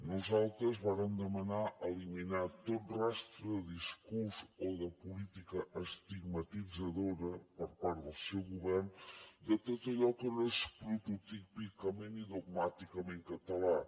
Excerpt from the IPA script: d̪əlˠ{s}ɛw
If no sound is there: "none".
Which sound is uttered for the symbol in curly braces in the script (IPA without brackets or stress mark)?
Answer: s